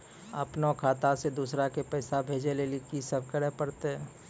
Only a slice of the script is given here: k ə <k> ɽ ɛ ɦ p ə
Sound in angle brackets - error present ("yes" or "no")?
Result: yes